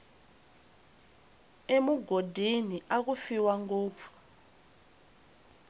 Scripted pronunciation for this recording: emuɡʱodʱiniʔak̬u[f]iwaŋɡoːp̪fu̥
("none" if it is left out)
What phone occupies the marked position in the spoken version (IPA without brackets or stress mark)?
f